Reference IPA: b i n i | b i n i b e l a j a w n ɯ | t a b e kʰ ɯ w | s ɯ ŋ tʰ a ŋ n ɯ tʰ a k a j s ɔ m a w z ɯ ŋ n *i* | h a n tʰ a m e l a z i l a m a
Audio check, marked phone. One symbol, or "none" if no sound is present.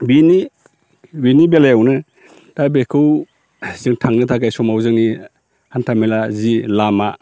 i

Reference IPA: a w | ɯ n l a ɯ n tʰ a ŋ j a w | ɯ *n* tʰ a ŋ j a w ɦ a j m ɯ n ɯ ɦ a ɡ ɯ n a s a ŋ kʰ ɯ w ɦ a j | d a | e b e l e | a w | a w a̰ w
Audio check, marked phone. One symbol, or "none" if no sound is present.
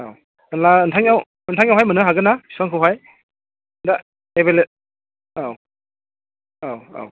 n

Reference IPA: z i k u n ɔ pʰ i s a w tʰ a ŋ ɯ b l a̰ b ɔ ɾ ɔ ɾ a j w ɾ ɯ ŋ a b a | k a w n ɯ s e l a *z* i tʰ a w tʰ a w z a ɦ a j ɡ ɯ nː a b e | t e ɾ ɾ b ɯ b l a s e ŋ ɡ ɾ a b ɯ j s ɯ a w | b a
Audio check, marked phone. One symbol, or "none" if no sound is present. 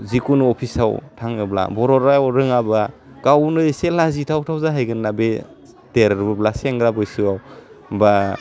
z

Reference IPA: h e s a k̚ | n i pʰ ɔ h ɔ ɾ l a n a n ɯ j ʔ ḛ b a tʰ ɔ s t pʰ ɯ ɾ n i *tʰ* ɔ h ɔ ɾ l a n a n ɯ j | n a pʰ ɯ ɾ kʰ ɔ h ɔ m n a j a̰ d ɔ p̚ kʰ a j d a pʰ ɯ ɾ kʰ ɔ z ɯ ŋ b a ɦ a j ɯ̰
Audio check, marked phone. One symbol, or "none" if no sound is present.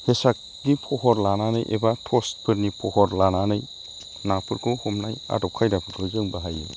pʰ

